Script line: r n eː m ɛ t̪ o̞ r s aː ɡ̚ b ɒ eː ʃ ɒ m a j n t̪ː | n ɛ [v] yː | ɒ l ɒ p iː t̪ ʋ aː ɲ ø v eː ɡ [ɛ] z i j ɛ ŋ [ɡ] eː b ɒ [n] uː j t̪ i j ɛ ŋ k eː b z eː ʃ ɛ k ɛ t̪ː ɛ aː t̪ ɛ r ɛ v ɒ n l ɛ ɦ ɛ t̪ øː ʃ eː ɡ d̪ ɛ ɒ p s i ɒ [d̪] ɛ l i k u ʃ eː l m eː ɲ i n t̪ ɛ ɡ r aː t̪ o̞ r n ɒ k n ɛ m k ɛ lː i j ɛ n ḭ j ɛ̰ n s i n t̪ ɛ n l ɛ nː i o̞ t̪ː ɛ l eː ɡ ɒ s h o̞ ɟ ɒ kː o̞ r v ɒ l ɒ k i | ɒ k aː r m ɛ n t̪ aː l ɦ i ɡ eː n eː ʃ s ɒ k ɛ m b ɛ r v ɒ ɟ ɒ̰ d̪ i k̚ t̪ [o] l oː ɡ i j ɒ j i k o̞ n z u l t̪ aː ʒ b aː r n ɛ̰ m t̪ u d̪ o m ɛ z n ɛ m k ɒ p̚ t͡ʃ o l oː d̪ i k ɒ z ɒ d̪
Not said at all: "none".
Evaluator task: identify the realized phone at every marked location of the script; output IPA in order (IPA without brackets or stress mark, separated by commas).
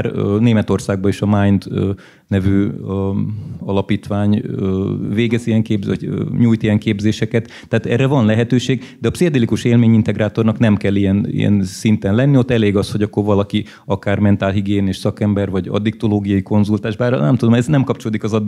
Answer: v, ɛ, k, ɲ, d̪, o